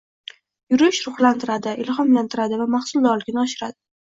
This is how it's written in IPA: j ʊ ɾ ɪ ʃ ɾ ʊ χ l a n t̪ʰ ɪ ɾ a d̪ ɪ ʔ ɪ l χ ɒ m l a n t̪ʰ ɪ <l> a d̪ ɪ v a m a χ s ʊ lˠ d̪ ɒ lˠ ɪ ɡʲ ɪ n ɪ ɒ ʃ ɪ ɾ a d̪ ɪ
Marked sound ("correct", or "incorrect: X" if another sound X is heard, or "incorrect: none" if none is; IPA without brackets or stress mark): incorrect: ɾ